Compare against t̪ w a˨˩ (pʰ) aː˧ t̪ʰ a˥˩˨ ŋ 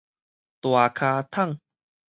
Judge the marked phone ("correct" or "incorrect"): incorrect